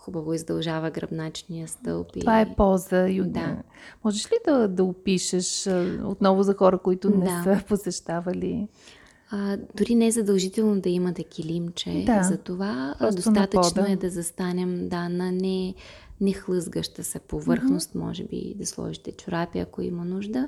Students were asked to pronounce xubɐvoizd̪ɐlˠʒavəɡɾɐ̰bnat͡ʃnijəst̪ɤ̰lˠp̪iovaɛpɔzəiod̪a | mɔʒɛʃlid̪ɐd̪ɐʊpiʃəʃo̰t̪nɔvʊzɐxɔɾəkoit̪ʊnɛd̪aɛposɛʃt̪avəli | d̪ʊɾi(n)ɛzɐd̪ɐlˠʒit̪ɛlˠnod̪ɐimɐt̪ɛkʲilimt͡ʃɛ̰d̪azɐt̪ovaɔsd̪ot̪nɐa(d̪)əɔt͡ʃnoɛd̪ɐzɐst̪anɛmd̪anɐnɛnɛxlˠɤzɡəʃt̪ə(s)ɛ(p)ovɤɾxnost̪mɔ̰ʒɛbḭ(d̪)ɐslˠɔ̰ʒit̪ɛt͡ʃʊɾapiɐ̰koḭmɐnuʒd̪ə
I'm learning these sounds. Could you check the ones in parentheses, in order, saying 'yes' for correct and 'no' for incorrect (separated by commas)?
yes, no, yes, yes, yes